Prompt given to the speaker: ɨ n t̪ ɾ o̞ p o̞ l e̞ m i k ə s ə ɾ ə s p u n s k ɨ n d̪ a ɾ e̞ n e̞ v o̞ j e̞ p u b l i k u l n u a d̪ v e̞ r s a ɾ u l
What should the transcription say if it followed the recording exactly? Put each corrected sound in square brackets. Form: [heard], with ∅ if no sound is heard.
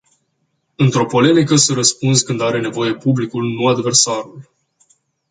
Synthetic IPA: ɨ n t̪ ɾ o̞ p o̞ l e̞ m i k ə s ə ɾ ə s p u n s k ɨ n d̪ a ɾ e̞ n e̞ v o̞ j e̞ p u b l i k u l n u a d̪ v e̞ r s a ɾ u l